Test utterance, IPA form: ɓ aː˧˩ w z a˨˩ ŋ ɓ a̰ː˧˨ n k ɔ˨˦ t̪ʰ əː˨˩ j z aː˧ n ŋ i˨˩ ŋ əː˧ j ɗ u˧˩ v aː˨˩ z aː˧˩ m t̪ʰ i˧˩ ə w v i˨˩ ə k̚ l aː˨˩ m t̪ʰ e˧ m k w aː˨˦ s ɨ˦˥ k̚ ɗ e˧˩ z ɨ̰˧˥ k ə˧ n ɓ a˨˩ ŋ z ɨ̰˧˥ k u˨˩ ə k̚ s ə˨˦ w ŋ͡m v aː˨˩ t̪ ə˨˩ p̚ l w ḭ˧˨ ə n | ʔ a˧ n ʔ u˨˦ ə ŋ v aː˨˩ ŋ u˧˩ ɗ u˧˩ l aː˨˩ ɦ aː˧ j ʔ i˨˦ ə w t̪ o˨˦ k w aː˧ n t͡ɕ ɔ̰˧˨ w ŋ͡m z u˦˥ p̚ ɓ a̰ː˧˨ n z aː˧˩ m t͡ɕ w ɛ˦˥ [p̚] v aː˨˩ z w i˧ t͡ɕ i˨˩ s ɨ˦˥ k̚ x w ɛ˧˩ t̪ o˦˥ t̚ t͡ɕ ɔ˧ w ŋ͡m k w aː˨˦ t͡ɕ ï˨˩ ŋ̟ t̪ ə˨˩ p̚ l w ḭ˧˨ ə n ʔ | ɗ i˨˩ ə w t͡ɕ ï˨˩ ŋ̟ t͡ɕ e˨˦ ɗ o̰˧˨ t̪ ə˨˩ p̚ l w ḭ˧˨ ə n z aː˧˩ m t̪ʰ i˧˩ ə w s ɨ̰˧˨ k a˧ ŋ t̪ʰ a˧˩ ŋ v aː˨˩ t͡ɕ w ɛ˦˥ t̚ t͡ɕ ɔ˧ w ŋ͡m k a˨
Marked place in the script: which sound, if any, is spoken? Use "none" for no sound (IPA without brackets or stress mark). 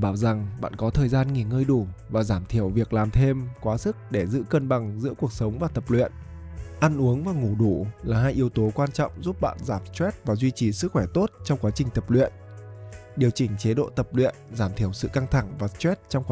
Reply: t̚